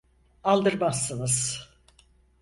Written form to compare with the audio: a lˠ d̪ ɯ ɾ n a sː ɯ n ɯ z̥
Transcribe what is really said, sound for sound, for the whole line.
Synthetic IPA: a lˠ d̪ ɯ ɾ m a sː ɯ n ɯ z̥